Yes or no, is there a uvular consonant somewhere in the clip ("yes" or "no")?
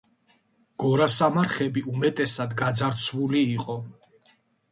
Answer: yes